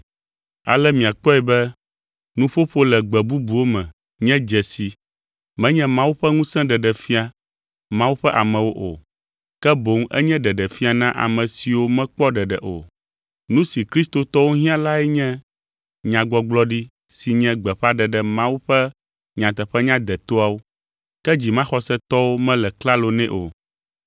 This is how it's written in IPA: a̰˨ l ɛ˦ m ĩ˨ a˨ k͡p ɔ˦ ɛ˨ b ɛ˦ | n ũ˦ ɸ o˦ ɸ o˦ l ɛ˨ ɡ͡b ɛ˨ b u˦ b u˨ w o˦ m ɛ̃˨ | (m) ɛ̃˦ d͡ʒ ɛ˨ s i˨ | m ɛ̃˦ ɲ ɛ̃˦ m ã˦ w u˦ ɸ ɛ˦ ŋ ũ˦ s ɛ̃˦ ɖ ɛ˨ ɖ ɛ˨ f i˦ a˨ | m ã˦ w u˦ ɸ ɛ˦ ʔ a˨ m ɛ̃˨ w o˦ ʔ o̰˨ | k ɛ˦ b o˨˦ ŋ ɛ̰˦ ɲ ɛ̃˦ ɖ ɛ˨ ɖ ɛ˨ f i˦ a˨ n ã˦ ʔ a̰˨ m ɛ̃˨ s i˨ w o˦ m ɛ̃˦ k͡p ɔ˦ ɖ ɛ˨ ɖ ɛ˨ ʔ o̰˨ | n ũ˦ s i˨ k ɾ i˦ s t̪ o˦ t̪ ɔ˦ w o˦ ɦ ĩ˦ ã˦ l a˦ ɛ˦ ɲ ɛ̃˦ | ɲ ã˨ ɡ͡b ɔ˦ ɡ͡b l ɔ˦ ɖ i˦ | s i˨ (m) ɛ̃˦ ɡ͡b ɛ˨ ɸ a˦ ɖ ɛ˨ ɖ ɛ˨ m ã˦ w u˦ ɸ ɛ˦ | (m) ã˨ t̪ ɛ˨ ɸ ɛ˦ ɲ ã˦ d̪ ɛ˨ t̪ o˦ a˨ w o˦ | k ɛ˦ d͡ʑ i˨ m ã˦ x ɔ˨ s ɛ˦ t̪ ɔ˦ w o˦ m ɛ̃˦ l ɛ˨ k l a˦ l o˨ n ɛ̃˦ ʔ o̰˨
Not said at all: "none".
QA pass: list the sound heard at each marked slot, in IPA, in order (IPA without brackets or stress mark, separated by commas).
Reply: ɲ, ɲ, ɲ